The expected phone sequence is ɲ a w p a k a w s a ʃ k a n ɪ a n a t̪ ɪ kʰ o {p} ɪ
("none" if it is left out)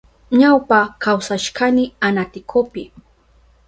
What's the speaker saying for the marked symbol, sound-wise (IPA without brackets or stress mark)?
p